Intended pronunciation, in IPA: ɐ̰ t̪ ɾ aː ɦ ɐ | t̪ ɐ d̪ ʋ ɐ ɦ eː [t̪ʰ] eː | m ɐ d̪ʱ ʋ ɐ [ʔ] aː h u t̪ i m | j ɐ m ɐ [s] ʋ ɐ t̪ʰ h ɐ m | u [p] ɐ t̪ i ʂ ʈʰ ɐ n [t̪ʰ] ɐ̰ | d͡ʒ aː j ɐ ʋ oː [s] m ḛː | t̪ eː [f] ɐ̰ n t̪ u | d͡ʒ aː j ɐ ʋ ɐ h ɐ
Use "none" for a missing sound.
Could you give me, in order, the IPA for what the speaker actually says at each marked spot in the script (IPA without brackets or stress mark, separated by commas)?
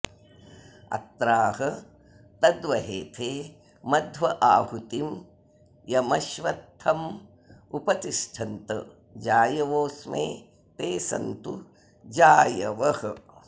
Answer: t̪ʰ, ʔ, ʃ, p, t̪, s, s